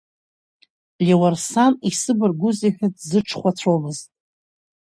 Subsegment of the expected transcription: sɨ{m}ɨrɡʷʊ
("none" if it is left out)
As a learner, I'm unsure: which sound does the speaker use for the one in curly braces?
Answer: b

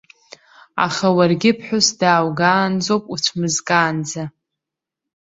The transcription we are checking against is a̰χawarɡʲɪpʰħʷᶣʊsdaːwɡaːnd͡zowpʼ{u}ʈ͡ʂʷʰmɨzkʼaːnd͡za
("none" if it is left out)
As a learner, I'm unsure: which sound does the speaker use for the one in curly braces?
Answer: u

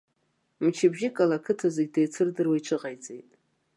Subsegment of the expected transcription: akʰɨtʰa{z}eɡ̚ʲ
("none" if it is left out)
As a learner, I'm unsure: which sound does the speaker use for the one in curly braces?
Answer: z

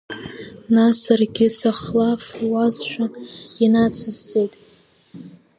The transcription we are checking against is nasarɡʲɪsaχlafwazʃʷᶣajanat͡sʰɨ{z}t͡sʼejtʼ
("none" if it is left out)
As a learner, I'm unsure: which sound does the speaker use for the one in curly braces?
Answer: z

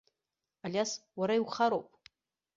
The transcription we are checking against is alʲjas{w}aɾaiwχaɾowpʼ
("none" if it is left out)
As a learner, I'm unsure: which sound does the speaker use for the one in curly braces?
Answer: w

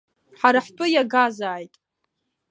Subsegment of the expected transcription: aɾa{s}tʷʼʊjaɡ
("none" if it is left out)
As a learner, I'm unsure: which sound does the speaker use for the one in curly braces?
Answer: ħ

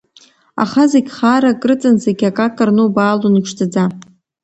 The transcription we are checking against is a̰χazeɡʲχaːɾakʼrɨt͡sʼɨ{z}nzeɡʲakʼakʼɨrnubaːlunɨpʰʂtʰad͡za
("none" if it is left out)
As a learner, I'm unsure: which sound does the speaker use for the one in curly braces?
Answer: none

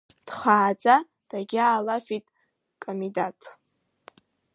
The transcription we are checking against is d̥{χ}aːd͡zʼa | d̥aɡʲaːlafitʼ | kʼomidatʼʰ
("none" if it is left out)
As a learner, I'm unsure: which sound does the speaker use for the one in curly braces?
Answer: χ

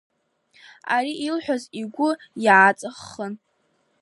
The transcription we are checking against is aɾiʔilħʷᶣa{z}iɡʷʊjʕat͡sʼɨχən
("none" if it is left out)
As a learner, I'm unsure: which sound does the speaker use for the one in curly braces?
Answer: z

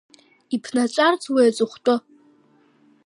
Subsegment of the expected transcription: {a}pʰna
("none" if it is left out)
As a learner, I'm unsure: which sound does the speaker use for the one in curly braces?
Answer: i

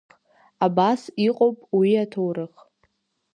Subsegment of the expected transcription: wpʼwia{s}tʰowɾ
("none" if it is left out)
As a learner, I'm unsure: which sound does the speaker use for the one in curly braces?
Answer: none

